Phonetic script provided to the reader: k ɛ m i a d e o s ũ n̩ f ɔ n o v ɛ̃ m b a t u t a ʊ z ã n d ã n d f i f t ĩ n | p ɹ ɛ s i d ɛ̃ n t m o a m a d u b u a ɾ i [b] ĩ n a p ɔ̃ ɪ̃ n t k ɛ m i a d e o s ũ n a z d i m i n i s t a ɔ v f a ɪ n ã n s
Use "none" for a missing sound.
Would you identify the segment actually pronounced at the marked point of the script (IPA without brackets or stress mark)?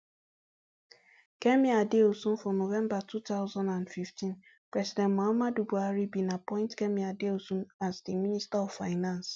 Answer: b